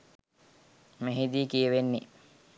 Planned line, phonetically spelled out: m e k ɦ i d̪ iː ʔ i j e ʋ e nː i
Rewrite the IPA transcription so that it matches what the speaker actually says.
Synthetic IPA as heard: m e ɦ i d̪ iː k i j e ʋ e nː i